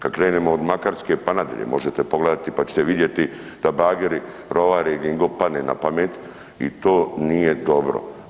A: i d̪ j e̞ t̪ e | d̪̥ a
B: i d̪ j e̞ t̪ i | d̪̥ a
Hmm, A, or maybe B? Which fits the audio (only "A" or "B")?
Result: B